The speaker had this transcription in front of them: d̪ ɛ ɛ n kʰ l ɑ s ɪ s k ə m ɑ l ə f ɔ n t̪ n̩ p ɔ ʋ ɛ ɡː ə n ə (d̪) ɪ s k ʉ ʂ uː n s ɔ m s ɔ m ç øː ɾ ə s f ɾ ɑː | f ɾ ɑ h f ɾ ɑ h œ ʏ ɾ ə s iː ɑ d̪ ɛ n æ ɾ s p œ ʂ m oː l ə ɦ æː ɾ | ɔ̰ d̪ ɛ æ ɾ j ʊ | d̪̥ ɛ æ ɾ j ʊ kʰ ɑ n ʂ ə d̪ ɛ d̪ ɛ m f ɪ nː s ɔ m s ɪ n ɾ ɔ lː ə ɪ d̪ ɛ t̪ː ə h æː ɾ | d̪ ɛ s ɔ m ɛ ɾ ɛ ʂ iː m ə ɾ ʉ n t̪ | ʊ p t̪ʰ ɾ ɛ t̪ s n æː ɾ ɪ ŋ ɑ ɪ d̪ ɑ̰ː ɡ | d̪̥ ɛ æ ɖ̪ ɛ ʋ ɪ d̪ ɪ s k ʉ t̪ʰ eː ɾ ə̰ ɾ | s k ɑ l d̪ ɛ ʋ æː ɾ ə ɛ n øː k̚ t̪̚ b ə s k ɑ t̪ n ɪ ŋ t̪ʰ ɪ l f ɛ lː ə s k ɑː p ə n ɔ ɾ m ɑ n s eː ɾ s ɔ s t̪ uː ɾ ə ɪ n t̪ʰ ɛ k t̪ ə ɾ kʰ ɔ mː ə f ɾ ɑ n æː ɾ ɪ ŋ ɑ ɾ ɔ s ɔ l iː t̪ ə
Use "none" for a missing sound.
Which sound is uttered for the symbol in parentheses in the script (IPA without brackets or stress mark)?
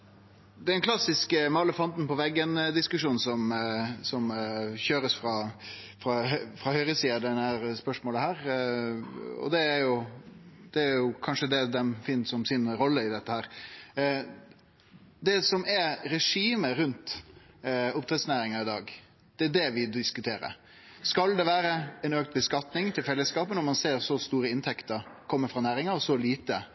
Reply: d̪